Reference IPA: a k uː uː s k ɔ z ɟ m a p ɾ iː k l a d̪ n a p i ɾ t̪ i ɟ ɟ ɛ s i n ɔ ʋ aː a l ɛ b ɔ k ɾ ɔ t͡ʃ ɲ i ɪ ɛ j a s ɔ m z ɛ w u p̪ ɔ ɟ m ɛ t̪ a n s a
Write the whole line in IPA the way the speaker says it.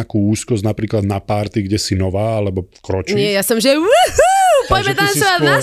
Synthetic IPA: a k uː uː s k ɔ z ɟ n a p ɾ iː k l a d̪ n a p a ɾ t̪ i ɡ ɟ ɛ s i n ɔ ʋ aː a l ɛ b ɔ k ɾ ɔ t͡ʃ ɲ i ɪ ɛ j a s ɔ m ʒ ɛ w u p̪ ɔ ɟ m ɛ t̪ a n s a